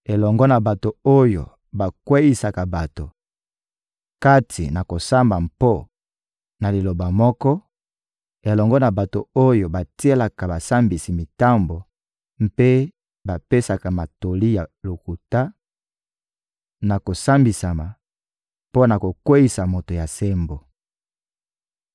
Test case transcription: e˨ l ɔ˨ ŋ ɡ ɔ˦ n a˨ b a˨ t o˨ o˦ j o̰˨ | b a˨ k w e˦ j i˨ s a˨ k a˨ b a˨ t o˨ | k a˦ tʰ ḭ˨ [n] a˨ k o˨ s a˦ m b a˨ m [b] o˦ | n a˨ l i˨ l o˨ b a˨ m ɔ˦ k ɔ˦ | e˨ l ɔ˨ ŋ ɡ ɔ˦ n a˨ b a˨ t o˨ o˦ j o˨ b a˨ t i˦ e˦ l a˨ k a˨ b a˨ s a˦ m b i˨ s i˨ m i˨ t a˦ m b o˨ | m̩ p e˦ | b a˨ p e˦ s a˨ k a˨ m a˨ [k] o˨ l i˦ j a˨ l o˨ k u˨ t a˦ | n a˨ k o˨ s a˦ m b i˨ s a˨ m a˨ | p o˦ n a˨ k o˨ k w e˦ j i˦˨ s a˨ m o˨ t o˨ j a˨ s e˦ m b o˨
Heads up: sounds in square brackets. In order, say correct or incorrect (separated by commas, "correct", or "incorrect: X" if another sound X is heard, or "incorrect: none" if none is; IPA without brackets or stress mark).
correct, incorrect: p, incorrect: t